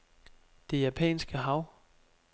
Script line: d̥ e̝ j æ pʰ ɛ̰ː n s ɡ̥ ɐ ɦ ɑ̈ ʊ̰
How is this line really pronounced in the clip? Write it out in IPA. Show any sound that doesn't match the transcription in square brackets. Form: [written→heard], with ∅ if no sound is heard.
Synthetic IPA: d̥ e̝ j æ pʰ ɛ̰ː n s ɡ̥ [ɐ→ə] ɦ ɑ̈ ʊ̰